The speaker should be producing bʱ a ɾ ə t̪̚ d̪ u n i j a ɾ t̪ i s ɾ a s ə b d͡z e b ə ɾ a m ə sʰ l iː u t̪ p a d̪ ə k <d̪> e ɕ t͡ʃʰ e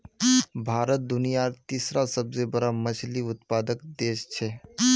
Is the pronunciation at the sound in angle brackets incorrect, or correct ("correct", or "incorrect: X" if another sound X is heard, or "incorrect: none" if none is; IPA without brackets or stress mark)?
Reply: correct